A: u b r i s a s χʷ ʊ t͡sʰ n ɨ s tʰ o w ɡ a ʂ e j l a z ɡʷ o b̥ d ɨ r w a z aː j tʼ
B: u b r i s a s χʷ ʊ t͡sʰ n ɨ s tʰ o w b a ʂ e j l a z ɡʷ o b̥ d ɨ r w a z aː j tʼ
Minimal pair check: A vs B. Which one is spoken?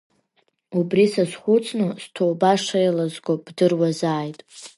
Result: B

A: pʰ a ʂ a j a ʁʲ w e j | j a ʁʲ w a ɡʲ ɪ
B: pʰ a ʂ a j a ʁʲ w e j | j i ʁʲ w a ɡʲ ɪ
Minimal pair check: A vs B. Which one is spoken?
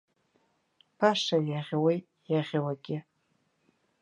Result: A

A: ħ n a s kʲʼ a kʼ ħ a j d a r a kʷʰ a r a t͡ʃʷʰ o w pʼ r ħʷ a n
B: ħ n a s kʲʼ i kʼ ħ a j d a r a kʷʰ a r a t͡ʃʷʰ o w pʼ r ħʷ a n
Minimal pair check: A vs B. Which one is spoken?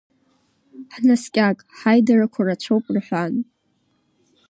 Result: A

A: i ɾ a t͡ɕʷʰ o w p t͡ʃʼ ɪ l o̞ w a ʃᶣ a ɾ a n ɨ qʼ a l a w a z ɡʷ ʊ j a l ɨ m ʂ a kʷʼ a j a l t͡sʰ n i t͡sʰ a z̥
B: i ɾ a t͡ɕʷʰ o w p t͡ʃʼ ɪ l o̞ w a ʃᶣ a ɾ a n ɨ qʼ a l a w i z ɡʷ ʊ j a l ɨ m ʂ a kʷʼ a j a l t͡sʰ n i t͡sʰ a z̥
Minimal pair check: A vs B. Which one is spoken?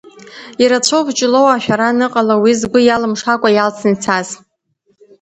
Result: B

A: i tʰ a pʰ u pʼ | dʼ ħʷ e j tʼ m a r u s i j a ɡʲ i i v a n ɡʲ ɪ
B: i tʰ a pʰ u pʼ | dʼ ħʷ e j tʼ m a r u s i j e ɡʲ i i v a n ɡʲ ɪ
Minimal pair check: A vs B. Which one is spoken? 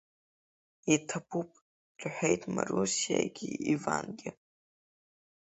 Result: A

